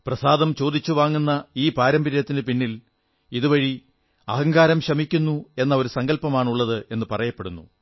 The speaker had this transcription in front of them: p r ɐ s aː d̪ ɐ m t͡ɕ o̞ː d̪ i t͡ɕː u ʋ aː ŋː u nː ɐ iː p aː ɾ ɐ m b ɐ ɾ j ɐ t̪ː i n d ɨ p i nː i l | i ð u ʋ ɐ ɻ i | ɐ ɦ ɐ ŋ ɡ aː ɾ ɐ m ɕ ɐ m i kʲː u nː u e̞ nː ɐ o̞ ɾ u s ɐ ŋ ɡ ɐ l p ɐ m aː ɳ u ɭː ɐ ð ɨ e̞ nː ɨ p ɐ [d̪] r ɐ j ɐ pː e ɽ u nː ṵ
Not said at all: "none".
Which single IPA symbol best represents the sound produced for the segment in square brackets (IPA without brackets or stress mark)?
none